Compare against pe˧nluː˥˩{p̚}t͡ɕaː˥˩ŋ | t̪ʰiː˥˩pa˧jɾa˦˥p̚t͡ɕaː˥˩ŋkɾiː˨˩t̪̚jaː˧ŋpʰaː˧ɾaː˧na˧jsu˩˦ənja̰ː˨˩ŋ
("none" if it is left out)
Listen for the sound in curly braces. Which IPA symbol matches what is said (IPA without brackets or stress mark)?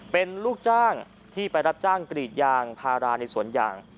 k̚